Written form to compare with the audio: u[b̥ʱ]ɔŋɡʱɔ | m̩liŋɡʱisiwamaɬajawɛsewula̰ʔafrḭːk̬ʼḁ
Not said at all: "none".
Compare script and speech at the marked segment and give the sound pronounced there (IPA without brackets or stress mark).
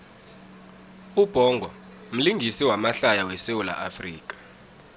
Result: b̥ʱ